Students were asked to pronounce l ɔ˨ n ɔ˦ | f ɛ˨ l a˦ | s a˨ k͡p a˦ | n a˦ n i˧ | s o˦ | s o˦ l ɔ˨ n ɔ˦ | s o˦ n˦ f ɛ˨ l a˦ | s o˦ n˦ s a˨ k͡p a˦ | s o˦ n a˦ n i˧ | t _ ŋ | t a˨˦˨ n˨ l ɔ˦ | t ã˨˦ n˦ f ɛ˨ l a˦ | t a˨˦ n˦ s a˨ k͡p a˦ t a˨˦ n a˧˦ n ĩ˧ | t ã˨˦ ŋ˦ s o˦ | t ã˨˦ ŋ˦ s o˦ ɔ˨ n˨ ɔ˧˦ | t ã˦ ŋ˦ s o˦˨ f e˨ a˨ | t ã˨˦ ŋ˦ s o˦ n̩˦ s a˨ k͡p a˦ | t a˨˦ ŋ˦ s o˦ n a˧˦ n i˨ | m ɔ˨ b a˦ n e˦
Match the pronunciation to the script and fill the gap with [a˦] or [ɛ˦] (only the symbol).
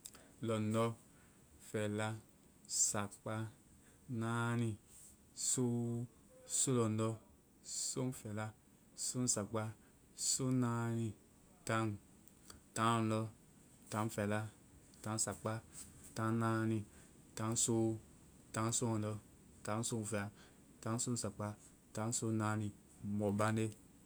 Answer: a˦